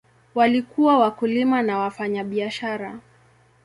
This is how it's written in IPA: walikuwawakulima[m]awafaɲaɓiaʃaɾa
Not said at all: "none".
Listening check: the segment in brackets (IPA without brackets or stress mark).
n